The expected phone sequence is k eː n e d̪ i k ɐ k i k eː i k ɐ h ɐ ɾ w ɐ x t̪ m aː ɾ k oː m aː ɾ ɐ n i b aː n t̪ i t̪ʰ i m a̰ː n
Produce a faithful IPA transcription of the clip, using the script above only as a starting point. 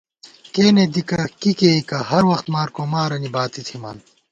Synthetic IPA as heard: k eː n e d̪ i k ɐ k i k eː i k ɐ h ɐ ɾ w ɐ x t̪ m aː ɾ k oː m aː ɾ ɐ n i b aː t̪ i t̪ʰ i m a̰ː n